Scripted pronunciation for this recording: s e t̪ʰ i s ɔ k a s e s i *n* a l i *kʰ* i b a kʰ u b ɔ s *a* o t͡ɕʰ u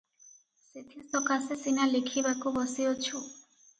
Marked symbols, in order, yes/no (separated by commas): yes, yes, no